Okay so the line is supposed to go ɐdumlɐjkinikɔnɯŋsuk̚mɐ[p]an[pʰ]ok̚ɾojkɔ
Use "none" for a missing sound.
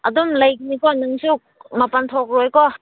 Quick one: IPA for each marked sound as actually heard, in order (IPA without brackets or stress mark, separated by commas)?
p, tʰ